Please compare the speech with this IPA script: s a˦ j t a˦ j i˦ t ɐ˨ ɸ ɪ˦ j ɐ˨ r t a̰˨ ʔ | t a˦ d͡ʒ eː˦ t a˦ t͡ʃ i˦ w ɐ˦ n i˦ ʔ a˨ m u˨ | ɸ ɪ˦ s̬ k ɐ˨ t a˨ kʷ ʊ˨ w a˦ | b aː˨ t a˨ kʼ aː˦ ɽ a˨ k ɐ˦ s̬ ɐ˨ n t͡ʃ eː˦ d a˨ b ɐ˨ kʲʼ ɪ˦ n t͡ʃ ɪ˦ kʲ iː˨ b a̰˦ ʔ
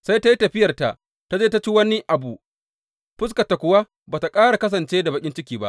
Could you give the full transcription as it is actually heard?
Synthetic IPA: s a˦ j t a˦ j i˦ t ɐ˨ ɸ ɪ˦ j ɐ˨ r t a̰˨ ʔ | t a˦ d͡ʒ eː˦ t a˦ t͡ʃ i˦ w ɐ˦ n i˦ ʔ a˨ b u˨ | ɸ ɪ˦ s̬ k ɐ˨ t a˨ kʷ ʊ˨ w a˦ | b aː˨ t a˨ kʼ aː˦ ɽ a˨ k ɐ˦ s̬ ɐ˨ n t͡ʃ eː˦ d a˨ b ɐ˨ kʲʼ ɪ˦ n t͡ʃ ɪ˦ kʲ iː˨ b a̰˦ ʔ